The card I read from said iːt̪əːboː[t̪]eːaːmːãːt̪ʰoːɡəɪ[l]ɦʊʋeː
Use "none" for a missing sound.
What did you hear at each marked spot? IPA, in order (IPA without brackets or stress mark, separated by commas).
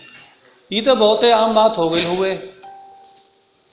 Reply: t̪, l